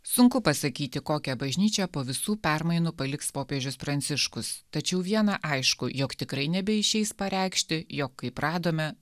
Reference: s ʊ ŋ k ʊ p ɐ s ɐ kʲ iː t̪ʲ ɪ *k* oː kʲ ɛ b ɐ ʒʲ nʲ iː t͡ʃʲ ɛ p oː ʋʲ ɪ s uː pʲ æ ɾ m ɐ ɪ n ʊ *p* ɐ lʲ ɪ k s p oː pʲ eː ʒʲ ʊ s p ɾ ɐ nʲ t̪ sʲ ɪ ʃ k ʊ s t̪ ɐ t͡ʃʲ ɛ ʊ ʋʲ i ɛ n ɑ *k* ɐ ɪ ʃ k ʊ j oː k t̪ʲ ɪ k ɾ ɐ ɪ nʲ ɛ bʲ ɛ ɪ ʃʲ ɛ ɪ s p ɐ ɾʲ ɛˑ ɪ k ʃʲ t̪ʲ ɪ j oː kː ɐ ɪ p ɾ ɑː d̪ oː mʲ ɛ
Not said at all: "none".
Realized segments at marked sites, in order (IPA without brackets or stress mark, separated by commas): k, p, ʔ